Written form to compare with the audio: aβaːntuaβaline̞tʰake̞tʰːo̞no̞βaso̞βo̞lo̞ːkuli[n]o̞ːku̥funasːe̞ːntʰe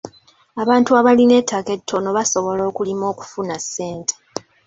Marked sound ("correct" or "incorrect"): incorrect